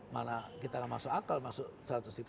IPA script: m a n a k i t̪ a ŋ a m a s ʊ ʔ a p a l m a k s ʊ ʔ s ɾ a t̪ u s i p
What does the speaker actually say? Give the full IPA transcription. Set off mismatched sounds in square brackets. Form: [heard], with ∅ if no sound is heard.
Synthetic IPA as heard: m a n a k i t̪ a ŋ a m a s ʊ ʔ a [k] a l m a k s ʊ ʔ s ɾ a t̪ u s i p